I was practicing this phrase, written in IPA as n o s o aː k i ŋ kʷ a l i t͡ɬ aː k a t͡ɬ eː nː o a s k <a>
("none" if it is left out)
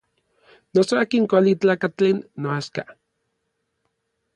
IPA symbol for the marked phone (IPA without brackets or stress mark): a